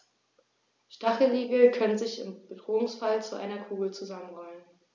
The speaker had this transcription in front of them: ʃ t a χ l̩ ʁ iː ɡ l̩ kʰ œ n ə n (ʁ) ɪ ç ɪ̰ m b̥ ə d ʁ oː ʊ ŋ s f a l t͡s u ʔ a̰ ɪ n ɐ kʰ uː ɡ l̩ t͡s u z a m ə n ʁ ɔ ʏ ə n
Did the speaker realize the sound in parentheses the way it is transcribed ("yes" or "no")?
no